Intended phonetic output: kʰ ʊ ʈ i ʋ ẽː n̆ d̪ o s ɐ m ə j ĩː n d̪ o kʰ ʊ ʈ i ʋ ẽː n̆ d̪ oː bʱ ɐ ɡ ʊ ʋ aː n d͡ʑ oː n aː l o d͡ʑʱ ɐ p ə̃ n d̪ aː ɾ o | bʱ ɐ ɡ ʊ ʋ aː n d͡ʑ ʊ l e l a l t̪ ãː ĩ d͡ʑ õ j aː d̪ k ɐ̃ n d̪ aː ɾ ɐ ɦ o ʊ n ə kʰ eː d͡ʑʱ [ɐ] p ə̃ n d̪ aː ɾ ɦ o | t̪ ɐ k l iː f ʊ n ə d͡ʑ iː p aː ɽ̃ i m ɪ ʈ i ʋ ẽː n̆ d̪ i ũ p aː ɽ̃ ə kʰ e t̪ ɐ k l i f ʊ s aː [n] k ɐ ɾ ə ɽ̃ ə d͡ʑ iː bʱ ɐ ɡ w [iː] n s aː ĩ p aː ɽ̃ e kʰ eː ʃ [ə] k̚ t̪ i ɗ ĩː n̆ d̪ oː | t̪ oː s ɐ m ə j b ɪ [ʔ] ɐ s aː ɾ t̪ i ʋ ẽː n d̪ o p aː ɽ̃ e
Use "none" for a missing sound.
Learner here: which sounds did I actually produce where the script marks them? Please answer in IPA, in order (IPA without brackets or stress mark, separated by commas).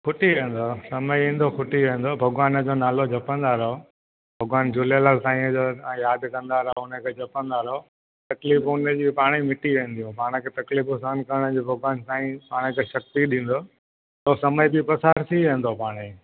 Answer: ɐ, n, aː, ɐ, p